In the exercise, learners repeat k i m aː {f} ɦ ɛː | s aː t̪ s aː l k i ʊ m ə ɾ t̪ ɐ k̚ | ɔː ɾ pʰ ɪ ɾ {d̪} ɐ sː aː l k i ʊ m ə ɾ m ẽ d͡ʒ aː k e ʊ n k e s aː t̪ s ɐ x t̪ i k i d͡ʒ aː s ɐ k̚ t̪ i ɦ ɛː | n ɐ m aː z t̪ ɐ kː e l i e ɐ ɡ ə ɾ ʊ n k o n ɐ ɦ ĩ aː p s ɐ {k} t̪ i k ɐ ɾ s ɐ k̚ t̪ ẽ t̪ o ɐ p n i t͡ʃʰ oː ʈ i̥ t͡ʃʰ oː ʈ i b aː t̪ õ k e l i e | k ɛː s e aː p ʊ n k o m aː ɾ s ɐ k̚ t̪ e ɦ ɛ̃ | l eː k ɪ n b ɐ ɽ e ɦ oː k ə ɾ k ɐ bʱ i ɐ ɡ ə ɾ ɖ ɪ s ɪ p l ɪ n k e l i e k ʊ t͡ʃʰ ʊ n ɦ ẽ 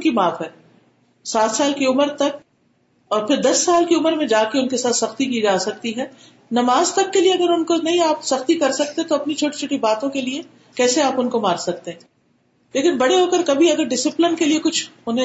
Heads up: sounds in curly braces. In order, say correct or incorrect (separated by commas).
correct, correct, incorrect